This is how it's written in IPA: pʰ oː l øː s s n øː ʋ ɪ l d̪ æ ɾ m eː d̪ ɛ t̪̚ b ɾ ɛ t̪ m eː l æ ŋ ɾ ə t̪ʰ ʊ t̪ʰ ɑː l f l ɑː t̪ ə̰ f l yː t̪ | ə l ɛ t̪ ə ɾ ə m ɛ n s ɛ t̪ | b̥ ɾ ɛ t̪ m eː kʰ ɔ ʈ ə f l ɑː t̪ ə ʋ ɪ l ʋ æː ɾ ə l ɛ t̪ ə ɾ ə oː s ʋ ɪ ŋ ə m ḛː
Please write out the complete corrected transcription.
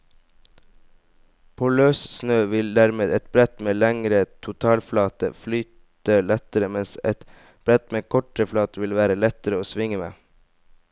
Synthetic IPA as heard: pʰ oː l øː s s n øː ʋ ɪ l d̪ æ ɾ m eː d̪ ɛ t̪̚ b ɾ ɛ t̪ m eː l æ ŋ ɾ ə t̪ʰ ʊ t̪ʰ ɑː l f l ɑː t̪ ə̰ f l yː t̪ | ə l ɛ t̪ ə ɾ ə m ɛ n s ɛ t̪ | b̥ ɾ ɛ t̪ m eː kʰ ɔ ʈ ə f l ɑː t̪ ə ʋ ɪ l ʋ æː ɾ ə l ɛ t̪ ə ɾ ə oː s ʋ ɪ ŋ ə m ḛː